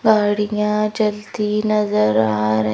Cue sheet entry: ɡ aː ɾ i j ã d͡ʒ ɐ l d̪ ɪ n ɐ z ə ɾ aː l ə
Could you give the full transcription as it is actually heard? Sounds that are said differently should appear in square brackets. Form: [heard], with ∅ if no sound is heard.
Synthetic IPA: ɡ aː [ɽ] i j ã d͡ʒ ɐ l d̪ [i] n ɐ z ə ɾ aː [ɾ] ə

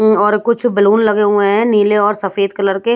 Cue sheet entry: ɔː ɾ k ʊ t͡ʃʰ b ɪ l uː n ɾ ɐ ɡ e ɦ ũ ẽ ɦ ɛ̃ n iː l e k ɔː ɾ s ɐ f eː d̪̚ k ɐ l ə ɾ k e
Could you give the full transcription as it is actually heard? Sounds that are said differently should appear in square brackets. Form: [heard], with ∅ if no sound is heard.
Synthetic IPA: ɔː ɾ k ʊ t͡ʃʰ b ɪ l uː n [l] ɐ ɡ e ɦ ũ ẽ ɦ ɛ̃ n iː l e [∅] ɔː ɾ s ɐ f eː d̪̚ k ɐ l ə ɾ k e

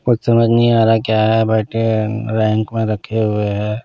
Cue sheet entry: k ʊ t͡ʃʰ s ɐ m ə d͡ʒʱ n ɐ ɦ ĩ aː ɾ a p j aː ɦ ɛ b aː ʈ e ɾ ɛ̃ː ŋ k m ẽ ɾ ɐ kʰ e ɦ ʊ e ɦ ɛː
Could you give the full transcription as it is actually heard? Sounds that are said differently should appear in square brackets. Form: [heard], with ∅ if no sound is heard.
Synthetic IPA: k ʊ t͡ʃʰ s ɐ m ə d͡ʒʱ n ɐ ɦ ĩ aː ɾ a [k] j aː ɦ ɛ b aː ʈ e ɾ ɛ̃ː ŋ k m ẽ ɾ ɐ kʰ e ɦ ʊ e ɦ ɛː

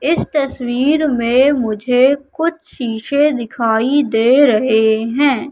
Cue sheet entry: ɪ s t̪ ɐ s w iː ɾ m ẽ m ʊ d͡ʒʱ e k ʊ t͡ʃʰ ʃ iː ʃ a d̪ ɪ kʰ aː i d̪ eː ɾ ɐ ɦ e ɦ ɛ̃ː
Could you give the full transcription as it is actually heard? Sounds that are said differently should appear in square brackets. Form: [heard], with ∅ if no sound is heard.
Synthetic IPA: ɪ s t̪ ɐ s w iː ɾ m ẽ m ʊ d͡ʒʱ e k ʊ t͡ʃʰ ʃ iː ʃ [e] d̪ ɪ kʰ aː i d̪ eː ɾ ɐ ɦ e ɦ ɛ̃ː

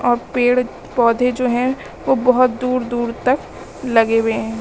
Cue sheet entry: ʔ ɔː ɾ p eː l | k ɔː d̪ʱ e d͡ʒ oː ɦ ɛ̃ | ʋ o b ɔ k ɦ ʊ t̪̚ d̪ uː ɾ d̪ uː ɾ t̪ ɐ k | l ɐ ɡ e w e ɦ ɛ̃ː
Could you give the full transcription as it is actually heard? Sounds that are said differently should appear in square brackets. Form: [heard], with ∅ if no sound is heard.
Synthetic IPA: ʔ ɔː ɾ p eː [ɽ] | [p] ɔː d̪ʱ e d͡ʒ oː ɦ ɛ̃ | ʋ o b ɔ [∅] ɦ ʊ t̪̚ d̪ uː ɾ d̪ uː ɾ t̪ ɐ k | l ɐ ɡ e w e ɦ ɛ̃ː

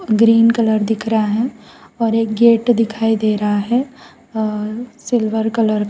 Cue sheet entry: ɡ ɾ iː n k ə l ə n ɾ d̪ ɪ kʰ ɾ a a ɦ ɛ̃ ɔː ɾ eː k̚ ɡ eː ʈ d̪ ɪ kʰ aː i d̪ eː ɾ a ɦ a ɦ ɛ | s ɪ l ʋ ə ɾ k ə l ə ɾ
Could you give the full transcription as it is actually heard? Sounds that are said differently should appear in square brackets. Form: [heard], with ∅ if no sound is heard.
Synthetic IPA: ɡ ɾ iː n k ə l ə [∅] ɾ d̪ ɪ kʰ ɾ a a ɦ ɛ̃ ɔː ɾ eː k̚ ɡ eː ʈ d̪ ɪ kʰ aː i d̪ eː ɾ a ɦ a ɦ ɛ | s ɪ l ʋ ə ɾ k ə l ə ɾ

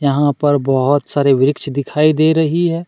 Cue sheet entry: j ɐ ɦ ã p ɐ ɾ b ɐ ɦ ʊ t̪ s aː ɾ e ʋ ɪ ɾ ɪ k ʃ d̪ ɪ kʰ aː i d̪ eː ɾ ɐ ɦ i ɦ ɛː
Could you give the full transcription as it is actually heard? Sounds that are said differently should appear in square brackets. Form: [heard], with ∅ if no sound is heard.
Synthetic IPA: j ɐ ɦ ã p ɐ ɾ b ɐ ɦ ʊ t̪ s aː ɾ e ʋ ɪ ɾ ɪ k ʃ d̪ ɪ kʰ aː i d̪ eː ɾ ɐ ɦ i ɦ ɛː

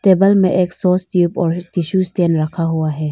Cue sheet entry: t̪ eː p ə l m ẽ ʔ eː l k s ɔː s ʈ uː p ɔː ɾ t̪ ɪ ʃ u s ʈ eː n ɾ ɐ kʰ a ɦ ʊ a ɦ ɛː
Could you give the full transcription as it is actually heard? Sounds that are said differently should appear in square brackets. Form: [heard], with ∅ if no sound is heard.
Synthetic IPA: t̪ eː [b] ə l m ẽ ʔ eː [∅] k s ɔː s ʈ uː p ɔː ɾ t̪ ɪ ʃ u s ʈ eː n ɾ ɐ kʰ a ɦ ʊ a ɦ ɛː

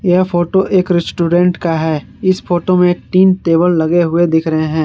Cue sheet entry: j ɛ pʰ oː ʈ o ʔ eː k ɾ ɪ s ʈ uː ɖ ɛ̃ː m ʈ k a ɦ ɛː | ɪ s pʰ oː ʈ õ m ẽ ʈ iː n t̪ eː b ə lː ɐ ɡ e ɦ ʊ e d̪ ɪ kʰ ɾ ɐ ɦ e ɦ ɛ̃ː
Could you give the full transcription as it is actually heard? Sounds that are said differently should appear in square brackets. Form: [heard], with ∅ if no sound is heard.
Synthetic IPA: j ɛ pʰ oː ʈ o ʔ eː k ɾ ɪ s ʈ uː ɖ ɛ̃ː [ɳ] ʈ k a ɦ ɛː | ɪ s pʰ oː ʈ [o] m ẽ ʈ iː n t̪ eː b ə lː ɐ ɡ e ɦ ʊ e d̪ ɪ kʰ ɾ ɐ ɦ e ɦ ɛ̃ː

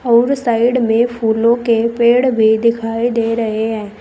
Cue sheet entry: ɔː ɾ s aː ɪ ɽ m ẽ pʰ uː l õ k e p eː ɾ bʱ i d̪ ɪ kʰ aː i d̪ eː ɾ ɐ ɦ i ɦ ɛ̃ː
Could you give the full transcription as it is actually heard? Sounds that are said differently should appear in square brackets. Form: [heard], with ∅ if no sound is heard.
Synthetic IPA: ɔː ɾ s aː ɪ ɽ m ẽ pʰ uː l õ k e p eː [ɽ] bʱ i d̪ ɪ kʰ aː i d̪ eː ɾ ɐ ɦ [e] ɦ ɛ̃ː

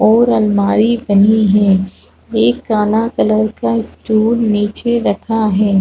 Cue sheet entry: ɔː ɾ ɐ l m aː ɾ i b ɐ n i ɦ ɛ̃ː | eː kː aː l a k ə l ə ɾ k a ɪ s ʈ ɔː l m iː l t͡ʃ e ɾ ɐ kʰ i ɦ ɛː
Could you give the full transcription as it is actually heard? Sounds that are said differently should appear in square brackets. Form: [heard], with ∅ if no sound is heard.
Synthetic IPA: ɔː ɾ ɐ l m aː ɾ i b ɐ n i ɦ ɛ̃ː | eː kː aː l a k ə l ə ɾ k a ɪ s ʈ [uː] l [n] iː [∅] t͡ʃ e ɾ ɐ kʰ [a] ɦ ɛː

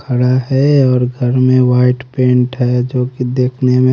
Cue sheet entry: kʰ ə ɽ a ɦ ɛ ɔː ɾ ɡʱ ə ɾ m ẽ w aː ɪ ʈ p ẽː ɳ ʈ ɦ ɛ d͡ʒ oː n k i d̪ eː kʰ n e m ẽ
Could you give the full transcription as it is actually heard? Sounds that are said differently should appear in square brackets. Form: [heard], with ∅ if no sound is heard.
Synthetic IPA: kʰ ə ɽ a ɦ ɛ ɔː ɾ ɡʱ ə ɾ m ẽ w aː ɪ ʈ p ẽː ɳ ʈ ɦ ɛ d͡ʒ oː [∅] k i d̪ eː kʰ n e m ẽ

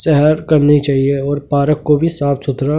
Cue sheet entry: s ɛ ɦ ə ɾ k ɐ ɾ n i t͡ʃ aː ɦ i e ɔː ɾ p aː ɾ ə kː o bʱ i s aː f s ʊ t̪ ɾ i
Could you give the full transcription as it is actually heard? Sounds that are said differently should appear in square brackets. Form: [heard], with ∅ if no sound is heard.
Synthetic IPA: s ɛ ɦ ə ɾ k ɐ ɾ n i t͡ʃ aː ɦ i e ɔː ɾ p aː ɾ ə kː o bʱ i s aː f s ʊ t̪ ɾ [a]

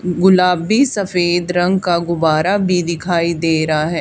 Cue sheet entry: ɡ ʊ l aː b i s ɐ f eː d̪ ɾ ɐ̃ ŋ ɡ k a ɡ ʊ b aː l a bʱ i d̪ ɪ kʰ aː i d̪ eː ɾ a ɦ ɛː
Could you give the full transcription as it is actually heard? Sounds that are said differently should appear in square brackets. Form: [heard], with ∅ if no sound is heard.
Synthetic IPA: ɡ ʊ l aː b i s ɐ f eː d̪ ɾ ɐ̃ ŋ ɡ k a ɡ ʊ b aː [ɾ] a bʱ i d̪ ɪ kʰ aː i d̪ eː ɾ a ɦ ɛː

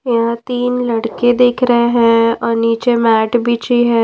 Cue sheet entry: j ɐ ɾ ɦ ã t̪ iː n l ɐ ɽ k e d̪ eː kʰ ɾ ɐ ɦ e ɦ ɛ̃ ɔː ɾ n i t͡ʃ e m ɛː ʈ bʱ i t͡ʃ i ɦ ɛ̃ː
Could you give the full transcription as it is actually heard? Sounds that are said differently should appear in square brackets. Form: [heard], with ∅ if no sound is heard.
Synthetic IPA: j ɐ [∅] ɦ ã t̪ iː n l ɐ ɽ k e d̪ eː kʰ ɾ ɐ ɦ e ɦ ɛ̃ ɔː ɾ n [iː] t͡ʃ e m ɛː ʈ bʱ i t͡ʃ i ɦ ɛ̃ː

